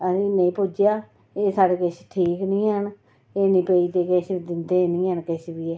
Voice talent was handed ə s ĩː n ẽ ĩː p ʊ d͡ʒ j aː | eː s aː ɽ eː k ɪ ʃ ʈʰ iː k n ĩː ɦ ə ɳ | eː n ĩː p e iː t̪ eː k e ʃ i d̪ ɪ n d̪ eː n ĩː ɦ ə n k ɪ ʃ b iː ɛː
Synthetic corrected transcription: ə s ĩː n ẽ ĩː p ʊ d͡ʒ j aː | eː s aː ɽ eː k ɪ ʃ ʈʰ iː k n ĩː ɦ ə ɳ | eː n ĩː p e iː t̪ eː k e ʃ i d̪ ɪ n d̪ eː n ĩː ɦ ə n k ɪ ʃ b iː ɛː